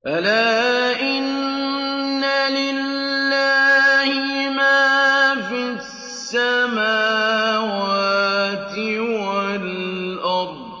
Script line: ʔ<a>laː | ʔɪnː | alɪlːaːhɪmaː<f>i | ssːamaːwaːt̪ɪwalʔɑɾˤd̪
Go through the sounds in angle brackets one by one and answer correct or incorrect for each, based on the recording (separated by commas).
correct, correct